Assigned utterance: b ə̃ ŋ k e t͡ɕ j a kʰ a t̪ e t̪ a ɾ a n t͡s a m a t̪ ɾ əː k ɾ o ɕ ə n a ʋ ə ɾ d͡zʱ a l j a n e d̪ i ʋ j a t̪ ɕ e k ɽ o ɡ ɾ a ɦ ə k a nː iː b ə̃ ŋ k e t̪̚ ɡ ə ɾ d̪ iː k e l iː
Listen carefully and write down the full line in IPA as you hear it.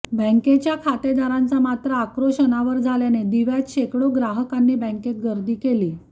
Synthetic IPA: b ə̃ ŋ k e t͡ɕ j a kʰ a t̪ e d̪ a ɾ a n t͡s a m a t̪ ɾ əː k ɾ o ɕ ə n a ʋ ə ɾ d͡zʱ a l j a n e d̪ i ʋ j a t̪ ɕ e k ɽ o ɡ ɾ a ɦ ə k a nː iː b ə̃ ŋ k e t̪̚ ɡ ə ɾ d̪ iː k e l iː